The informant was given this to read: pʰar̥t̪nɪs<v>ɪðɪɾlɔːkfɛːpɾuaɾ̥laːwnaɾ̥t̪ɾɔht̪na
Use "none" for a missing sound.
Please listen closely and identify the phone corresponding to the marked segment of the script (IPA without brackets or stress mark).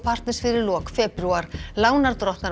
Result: f